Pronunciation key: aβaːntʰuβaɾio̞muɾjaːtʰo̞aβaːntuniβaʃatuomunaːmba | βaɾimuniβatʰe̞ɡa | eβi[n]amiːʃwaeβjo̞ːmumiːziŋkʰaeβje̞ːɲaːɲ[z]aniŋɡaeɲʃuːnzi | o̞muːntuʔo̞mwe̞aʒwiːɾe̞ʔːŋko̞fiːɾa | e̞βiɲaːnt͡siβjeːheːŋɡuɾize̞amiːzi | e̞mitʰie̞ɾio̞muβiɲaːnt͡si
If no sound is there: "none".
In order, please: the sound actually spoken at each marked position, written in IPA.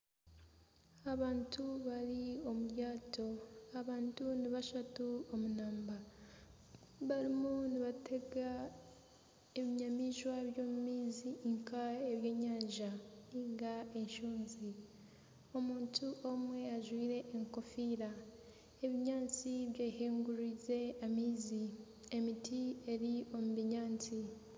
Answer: ɲ, ʒ

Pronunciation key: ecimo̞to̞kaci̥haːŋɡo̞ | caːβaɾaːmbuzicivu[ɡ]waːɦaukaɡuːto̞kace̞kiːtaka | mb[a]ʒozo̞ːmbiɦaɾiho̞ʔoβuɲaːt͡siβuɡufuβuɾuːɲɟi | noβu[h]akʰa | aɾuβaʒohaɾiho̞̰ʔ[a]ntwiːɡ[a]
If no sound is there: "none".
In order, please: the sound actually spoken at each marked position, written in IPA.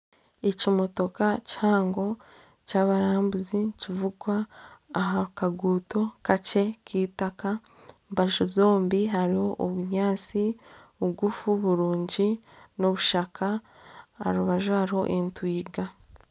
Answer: ɡ, a, ʃ, e, a

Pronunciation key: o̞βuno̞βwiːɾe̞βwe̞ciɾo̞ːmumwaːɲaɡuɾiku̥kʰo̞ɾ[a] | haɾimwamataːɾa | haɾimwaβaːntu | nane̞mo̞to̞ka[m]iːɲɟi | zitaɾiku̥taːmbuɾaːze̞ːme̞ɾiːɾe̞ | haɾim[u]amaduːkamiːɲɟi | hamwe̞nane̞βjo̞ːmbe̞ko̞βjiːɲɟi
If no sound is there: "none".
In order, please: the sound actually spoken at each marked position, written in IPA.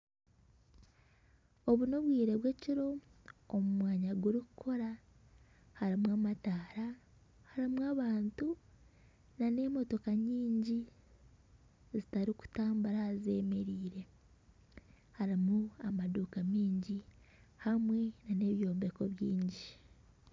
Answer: a, ɲ, u

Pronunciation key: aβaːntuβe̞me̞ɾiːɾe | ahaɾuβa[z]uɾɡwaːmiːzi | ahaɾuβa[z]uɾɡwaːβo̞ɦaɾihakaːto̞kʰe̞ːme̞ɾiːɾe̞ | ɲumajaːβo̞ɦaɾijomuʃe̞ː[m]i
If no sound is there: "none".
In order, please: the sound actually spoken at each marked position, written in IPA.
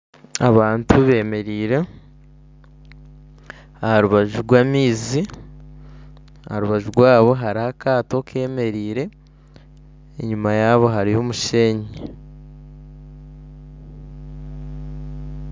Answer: ʒ, ʒ, ɲ

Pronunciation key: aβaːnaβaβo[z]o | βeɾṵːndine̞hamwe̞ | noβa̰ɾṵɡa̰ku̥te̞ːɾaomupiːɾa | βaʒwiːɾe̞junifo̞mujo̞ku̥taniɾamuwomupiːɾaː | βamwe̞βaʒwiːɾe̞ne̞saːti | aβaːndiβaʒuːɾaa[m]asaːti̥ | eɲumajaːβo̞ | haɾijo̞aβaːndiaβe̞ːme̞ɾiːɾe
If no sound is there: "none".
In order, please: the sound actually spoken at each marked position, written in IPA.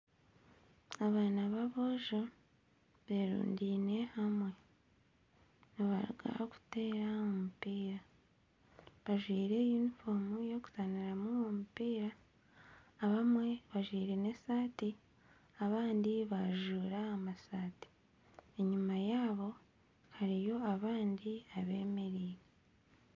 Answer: ʒ, m

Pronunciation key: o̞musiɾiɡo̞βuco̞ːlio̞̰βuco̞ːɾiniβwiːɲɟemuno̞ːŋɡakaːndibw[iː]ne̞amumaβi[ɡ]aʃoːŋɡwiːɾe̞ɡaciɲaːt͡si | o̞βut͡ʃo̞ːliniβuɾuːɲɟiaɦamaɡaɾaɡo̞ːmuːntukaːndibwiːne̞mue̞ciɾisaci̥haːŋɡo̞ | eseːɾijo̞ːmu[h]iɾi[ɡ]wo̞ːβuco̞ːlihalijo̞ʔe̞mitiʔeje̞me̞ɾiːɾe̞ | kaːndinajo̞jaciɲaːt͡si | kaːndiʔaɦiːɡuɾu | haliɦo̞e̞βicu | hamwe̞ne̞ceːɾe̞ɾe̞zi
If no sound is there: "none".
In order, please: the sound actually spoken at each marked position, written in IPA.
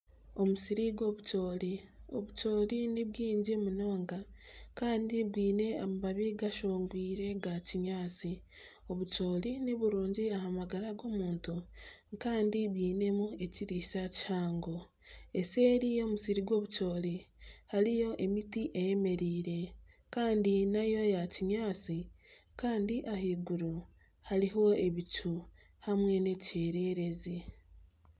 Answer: iː, ɡ, s, ɡ

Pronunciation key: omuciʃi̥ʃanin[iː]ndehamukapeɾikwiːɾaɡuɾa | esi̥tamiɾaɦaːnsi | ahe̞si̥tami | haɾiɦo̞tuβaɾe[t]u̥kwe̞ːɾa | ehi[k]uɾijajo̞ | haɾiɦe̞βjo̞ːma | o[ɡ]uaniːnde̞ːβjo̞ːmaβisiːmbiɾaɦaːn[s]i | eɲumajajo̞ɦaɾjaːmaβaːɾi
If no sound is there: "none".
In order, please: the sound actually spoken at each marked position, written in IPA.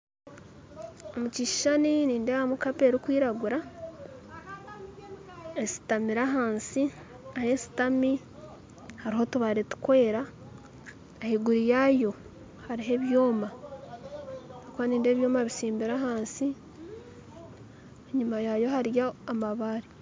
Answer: iː, t, ɡ, k, s

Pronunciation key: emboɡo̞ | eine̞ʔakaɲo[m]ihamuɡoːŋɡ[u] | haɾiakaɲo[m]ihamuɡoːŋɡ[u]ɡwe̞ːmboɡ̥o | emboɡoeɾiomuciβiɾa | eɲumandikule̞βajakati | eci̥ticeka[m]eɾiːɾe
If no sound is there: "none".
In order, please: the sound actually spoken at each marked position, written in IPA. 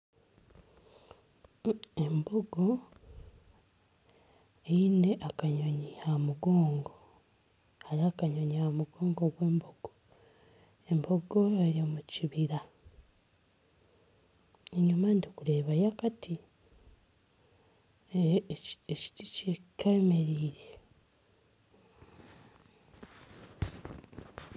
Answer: ɲ, o, ɲ, o, m

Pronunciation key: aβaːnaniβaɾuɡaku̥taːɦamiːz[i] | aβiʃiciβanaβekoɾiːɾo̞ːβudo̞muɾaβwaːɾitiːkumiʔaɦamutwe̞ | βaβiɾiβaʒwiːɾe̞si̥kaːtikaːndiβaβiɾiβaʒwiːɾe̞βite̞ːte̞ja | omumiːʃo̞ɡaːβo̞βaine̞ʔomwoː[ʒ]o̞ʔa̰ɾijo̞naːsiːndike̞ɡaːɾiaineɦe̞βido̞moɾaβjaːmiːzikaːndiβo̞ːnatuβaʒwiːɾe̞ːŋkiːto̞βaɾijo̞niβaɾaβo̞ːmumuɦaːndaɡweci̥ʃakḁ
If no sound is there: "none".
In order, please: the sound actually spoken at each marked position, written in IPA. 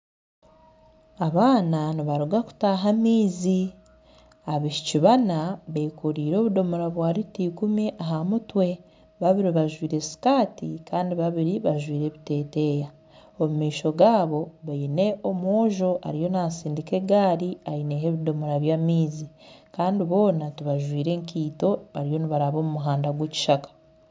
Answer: i, ʒ

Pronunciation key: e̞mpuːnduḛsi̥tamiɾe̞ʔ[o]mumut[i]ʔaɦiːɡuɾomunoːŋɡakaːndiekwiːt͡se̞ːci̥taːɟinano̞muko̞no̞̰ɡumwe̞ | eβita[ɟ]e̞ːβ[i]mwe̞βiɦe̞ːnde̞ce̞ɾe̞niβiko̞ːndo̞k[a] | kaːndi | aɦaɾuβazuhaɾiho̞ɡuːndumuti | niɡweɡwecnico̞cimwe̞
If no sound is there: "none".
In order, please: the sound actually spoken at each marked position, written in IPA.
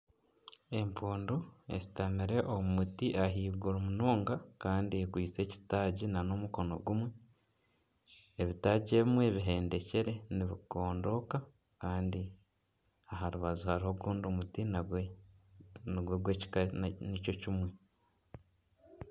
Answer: o, i, ɟ, i, a

